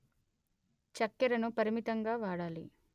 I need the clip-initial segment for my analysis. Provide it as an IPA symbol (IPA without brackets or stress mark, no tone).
t͡ʃ